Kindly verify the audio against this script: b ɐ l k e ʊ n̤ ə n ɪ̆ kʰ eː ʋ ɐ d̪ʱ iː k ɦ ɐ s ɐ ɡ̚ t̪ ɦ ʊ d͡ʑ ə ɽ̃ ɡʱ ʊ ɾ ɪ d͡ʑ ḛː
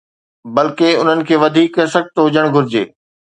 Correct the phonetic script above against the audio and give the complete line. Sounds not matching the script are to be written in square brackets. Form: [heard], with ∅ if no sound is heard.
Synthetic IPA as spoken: b ɐ l k e ʊ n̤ ə n ɪ̆ kʰ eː ʋ ɐ d̪ʱ iː k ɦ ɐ s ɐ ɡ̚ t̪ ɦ ʊ d͡ʑ ə ɽ̃ ɡʱ ʊ ɾ ɪ d͡ʑ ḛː